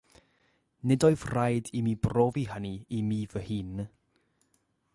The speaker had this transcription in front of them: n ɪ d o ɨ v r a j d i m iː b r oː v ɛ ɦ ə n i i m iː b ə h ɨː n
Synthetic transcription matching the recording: n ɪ d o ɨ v r a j d i m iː b r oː v i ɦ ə n i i m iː v ə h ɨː n